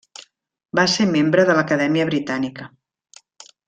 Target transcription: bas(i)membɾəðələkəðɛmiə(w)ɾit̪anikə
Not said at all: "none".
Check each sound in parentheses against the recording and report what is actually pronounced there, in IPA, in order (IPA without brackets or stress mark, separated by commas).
e, β